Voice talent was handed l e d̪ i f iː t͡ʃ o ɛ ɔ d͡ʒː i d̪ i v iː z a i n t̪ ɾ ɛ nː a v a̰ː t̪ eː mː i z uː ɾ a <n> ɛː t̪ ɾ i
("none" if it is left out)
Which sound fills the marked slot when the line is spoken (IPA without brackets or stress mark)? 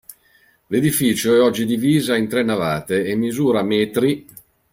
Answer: m